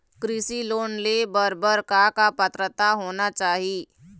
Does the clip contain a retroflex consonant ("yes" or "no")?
no